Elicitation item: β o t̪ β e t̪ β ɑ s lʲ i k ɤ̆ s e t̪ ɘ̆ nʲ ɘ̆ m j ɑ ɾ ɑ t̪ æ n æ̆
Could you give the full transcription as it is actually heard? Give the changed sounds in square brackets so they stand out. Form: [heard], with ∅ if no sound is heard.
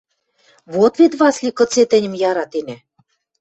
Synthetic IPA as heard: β o t̪ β e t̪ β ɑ s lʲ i k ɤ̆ [t͡s] e t̪ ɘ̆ nʲ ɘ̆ m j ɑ ɾ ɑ t̪ [e] n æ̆